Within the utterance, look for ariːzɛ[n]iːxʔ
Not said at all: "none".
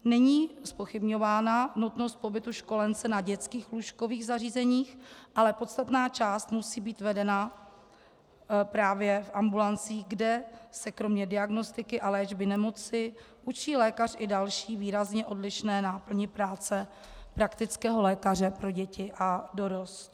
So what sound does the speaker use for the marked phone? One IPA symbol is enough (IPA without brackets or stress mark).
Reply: ɲ